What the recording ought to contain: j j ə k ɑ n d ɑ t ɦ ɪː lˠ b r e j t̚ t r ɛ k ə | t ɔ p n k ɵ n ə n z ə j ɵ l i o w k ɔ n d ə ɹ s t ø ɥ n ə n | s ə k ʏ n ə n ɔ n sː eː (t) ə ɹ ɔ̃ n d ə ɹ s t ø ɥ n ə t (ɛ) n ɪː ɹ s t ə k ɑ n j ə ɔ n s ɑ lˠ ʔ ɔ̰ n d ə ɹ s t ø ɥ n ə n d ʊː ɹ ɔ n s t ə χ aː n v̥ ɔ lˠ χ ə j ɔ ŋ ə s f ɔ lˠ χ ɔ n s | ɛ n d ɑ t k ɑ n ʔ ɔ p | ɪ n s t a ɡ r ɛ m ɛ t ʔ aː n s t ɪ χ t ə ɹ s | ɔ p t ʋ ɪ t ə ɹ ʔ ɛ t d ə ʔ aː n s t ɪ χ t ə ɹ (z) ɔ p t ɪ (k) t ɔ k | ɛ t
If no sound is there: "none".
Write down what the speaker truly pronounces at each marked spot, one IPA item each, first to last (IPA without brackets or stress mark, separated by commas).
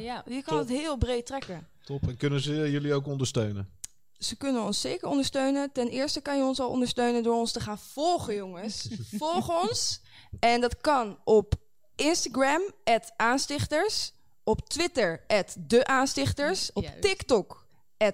k, ɛ, s, k